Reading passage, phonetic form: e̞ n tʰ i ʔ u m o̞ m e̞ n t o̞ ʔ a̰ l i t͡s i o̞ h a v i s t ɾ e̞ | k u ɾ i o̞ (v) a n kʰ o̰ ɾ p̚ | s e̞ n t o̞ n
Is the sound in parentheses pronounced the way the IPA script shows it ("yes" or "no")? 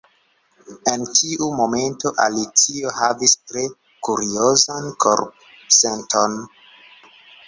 no